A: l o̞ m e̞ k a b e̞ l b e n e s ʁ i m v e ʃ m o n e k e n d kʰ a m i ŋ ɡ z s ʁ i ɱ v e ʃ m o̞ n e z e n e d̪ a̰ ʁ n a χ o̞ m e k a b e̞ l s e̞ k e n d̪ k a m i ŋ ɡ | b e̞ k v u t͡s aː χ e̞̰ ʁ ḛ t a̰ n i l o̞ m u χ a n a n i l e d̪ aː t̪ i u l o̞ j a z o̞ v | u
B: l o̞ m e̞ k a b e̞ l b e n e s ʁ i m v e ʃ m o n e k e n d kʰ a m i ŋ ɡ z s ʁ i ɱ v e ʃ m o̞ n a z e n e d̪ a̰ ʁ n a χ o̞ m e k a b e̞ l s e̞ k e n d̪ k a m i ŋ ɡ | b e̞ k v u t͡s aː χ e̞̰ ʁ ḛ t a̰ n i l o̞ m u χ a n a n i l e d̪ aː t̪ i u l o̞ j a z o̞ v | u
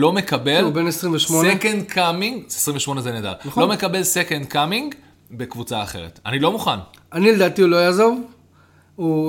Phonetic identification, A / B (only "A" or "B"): A